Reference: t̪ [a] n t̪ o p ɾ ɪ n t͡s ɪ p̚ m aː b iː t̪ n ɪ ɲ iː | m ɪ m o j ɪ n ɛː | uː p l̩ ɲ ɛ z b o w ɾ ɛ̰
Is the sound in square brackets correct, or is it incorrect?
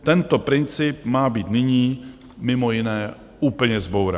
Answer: incorrect